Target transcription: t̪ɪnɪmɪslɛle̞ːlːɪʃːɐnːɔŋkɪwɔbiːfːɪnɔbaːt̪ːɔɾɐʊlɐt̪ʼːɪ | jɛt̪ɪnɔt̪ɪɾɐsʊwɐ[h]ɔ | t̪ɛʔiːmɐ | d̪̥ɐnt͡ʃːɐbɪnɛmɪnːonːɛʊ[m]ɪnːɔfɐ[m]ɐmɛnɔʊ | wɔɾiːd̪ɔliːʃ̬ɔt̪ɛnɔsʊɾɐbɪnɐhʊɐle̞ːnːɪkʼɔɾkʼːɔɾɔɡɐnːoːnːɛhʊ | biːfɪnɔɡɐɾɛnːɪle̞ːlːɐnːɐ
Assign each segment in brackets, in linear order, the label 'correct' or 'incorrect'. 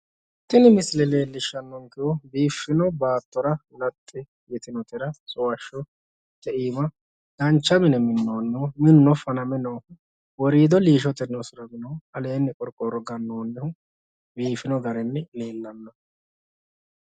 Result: incorrect: ʃ, correct, incorrect: n

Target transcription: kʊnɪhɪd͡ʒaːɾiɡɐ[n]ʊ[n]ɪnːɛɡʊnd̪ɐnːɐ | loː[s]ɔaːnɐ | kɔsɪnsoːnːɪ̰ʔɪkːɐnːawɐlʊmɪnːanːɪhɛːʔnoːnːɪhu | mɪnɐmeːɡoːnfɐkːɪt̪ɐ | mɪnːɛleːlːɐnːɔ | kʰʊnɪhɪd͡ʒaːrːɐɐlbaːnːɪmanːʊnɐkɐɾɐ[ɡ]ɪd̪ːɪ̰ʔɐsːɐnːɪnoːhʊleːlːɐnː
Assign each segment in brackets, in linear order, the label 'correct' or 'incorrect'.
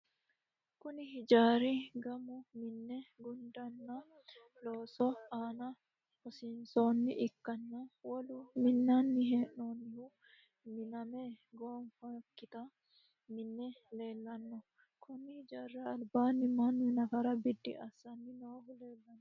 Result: incorrect: m, incorrect: m, correct, incorrect: b

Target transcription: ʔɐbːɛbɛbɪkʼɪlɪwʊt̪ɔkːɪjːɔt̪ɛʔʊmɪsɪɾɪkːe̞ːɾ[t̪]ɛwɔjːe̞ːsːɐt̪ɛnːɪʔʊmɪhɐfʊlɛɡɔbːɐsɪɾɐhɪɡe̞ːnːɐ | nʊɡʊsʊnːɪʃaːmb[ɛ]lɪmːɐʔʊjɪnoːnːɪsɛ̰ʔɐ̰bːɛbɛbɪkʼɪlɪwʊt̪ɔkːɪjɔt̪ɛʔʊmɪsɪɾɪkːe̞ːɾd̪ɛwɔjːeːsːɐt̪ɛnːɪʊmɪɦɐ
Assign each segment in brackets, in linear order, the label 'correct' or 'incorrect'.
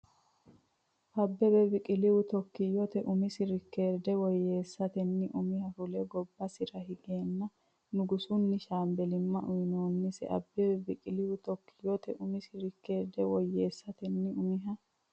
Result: incorrect: d̪, correct

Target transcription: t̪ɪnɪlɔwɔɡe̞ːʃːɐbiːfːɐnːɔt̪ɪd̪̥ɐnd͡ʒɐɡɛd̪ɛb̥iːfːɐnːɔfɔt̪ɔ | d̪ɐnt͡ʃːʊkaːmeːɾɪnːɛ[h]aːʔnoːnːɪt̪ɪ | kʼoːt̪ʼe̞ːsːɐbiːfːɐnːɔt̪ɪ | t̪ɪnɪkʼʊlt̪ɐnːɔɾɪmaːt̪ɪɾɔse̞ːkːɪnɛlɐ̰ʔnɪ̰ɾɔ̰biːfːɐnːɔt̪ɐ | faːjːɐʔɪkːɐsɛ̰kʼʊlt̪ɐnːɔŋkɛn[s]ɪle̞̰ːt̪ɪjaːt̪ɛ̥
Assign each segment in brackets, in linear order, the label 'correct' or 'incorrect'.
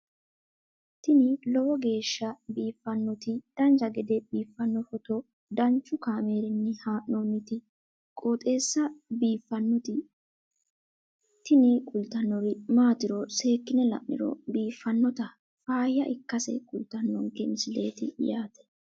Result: correct, correct

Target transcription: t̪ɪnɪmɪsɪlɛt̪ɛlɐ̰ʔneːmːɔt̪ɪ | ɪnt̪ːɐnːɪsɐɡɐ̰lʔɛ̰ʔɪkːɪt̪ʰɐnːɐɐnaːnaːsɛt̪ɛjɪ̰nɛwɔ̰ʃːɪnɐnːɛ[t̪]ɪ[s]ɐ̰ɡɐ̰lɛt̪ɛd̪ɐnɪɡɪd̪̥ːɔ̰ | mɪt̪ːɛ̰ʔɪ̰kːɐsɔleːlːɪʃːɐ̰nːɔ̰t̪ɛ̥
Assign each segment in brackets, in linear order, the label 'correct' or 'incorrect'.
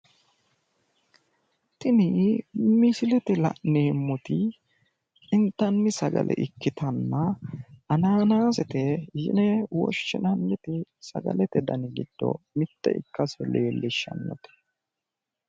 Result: correct, correct

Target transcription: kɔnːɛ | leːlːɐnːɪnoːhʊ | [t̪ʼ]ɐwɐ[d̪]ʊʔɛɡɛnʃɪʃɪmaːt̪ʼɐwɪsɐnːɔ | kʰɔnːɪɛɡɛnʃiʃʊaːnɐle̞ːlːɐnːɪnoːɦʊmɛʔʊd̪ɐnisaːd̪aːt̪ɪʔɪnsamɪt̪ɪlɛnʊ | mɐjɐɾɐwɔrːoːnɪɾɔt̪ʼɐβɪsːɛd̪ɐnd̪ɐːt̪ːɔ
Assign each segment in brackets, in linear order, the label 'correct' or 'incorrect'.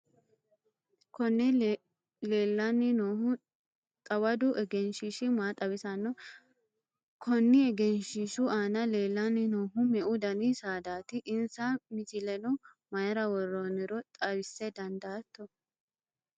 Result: correct, correct

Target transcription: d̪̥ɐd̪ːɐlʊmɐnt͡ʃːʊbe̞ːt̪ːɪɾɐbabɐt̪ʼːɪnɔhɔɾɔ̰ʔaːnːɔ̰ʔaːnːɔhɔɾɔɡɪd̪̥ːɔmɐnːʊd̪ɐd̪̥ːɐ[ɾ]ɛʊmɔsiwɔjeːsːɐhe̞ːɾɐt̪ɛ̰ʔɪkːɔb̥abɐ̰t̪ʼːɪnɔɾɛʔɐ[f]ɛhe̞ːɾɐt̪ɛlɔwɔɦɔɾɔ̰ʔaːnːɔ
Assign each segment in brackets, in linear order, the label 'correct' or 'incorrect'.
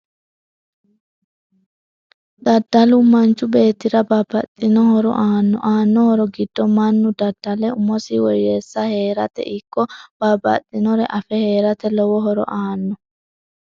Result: incorrect: l, correct

